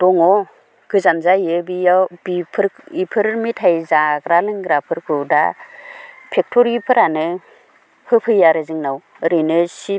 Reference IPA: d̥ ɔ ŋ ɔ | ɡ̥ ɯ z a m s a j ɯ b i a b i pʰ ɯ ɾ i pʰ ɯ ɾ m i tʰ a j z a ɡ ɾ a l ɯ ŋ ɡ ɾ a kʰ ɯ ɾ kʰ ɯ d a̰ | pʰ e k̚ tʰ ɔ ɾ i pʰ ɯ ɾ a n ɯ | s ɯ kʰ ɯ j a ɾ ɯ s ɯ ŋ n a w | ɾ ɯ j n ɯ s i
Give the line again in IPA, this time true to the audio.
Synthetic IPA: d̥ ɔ ŋ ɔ | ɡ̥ ɯ z a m z a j ɯ b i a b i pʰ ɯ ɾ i pʰ ɯ ɾ m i tʰ a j z a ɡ ɾ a l ɯ ŋ ɡ ɾ a pʰ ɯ ɾ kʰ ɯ d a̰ | pʰ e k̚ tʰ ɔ ɾ i pʰ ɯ ɾ a n ɯ | h ɯ pʰ ɯ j a ɾ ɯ z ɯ ŋ n a w | ɾ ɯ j n ɯ s i